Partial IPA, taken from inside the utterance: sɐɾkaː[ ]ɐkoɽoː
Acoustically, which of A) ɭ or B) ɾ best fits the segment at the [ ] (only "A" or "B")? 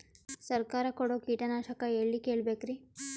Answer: B